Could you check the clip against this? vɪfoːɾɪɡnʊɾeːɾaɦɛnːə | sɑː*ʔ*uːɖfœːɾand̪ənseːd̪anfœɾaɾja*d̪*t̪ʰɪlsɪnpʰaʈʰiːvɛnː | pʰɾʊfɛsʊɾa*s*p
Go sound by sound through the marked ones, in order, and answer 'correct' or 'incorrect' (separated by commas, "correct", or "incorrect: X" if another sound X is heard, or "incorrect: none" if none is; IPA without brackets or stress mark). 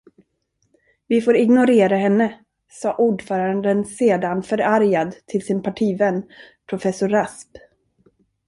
correct, correct, correct